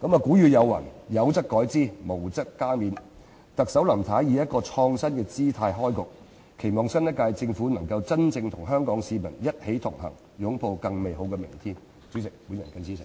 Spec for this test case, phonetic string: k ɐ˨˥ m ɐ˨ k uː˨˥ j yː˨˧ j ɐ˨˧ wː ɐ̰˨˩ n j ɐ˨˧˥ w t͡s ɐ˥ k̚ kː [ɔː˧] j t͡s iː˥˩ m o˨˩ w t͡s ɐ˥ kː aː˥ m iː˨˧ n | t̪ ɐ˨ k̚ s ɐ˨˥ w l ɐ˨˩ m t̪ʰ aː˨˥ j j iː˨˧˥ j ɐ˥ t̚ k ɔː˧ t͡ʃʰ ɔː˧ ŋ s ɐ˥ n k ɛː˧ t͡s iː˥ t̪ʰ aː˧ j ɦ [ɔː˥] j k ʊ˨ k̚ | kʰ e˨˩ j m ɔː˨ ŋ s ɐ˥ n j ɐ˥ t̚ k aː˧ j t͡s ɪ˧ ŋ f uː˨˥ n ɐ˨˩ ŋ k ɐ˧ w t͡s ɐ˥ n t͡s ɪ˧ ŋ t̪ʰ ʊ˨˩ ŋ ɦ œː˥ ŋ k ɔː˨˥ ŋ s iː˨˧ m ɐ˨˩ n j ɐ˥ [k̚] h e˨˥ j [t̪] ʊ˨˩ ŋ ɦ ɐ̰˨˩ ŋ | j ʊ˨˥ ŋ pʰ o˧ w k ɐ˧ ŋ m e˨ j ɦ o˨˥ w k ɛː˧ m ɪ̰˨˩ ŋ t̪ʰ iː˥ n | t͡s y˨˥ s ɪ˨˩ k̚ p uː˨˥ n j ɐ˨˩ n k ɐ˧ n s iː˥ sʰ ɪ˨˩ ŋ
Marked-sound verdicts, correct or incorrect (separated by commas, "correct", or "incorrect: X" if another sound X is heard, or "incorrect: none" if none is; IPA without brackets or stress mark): incorrect: ɔː˨˥, correct, incorrect: t̚, incorrect: t̪ʰ